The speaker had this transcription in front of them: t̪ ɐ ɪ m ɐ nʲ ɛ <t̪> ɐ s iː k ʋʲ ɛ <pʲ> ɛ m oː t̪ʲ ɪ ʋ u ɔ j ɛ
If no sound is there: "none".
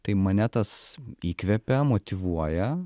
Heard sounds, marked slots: t̪, pʲ

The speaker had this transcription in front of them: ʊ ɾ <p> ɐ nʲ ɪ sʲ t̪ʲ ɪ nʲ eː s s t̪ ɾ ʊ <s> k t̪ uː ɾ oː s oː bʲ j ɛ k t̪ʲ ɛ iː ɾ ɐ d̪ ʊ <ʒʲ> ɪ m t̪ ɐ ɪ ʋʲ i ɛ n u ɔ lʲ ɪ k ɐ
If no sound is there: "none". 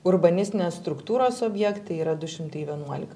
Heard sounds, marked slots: b, none, ʃʲ

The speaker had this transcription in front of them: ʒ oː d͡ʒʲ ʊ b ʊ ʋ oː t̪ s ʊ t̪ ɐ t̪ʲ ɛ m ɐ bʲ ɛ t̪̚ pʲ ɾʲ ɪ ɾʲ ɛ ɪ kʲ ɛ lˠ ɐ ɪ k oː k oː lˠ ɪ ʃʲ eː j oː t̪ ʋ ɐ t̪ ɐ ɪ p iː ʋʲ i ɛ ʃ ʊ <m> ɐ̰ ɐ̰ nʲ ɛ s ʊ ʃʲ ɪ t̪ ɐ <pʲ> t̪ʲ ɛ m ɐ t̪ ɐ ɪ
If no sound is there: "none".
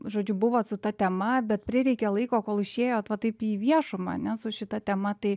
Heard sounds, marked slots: m, none

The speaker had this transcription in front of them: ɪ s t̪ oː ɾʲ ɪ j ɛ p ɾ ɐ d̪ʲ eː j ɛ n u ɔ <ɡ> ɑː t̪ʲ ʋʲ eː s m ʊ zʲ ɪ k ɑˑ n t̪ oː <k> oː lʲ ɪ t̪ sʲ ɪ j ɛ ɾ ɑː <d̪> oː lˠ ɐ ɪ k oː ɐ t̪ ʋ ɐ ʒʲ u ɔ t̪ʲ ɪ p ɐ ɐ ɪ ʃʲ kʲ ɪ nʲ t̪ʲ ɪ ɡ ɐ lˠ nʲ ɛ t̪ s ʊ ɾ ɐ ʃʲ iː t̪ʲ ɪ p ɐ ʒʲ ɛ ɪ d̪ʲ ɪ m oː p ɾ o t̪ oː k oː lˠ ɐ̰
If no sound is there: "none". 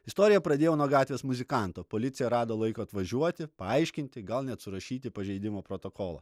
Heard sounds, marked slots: ɡ, p, d̪

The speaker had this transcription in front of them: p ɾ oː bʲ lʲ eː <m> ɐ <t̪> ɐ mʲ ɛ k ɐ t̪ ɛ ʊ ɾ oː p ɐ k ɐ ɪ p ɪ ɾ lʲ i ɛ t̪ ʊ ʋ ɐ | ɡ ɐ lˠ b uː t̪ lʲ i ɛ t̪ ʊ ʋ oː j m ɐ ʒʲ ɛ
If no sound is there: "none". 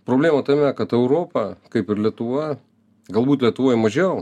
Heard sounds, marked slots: m, t̪

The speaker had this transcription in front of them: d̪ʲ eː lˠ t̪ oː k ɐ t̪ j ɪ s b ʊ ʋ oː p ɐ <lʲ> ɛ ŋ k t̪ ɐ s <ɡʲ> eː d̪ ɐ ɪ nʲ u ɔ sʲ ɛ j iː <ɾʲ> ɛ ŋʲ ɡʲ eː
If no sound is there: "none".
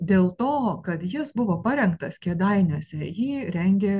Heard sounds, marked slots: ɾʲ, kʲ, ɾʲ

